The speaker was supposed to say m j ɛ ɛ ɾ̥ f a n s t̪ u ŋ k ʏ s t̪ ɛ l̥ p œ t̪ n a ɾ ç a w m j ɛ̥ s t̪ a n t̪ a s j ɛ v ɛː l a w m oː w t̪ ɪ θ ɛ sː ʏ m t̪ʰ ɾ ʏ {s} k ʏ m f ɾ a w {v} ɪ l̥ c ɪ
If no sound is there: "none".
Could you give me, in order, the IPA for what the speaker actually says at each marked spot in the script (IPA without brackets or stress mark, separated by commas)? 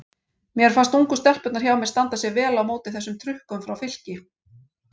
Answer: h, f